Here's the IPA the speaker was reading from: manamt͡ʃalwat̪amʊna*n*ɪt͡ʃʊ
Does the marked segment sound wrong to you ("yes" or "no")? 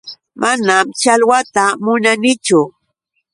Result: no